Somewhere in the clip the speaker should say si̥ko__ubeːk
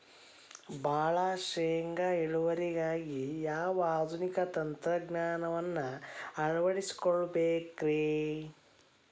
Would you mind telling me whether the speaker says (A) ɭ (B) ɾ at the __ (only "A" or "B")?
A